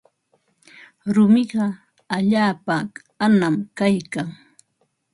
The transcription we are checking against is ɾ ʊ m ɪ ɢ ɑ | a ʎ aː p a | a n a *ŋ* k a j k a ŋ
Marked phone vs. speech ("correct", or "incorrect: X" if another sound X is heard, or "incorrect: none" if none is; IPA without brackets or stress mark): incorrect: m